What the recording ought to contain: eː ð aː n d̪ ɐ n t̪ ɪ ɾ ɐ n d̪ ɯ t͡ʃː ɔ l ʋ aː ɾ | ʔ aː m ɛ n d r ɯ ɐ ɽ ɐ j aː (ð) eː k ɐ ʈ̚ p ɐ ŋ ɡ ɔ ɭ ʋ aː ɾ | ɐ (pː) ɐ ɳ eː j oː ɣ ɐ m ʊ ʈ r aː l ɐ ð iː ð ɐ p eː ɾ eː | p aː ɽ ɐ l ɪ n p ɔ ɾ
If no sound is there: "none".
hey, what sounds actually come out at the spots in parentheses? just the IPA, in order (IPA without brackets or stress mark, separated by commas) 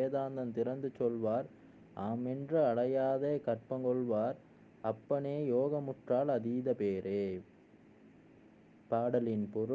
ð, pː